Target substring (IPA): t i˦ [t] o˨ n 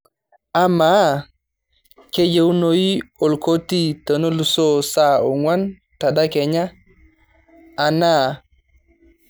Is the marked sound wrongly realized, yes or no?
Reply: no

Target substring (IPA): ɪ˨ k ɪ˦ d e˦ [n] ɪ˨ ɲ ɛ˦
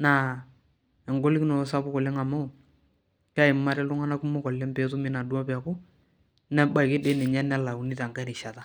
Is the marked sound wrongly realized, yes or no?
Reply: no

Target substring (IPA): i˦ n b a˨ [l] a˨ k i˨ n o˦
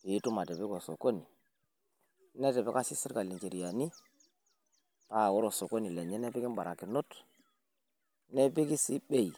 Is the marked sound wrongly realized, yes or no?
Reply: yes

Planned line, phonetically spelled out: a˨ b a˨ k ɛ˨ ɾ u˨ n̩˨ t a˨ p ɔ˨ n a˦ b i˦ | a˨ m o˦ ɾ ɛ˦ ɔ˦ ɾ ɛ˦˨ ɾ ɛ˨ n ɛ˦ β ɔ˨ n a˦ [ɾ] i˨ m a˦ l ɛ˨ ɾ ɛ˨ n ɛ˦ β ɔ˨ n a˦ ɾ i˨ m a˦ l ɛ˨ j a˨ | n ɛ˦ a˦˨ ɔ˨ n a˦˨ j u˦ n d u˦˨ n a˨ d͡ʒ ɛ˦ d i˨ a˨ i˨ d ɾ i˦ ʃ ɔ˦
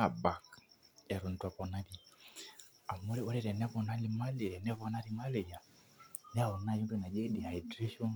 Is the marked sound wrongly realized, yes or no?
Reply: yes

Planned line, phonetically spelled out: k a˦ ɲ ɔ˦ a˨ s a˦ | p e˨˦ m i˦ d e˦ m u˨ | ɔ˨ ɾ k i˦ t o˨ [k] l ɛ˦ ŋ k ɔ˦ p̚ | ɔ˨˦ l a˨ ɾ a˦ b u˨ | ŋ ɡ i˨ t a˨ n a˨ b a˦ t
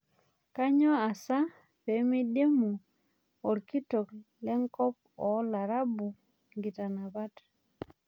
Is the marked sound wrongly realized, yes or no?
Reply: no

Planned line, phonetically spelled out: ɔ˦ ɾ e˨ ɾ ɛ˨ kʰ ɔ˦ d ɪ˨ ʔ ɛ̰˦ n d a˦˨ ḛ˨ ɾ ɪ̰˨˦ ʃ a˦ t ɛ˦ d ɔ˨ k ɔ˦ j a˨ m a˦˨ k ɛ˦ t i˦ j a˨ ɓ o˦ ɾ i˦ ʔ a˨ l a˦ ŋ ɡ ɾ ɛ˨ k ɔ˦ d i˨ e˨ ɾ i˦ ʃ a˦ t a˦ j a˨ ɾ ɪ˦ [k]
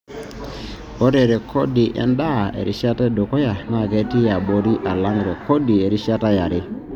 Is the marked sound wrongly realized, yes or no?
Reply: yes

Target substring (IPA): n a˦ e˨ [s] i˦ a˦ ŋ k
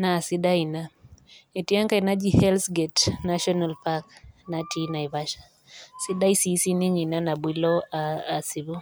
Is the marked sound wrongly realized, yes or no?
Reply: yes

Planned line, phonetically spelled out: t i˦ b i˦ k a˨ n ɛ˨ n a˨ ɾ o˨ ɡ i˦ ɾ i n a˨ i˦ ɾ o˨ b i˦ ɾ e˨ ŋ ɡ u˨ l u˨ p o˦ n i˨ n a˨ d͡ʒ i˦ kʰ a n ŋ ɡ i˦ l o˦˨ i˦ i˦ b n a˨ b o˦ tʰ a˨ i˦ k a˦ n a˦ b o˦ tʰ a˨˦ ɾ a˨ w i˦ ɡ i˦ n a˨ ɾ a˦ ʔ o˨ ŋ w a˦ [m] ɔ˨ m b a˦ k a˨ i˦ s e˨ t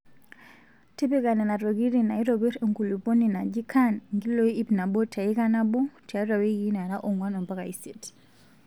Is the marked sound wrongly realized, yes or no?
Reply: yes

